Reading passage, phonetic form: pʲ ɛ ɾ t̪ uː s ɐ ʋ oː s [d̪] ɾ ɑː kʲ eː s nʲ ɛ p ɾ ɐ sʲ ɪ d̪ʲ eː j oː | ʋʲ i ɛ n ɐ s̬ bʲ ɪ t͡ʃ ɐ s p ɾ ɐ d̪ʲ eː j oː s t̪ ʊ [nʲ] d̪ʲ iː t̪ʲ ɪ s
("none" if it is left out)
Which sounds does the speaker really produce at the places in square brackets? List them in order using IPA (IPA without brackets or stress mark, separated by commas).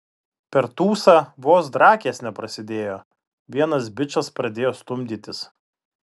d̪, mʲ